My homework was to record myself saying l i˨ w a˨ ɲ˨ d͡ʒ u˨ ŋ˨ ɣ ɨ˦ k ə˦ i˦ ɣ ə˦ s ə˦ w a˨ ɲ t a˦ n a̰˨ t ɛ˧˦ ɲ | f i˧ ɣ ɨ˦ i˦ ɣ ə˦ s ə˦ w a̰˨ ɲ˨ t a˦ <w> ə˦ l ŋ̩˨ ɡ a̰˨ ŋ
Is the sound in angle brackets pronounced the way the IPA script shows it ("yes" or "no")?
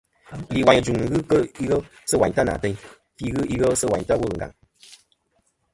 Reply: yes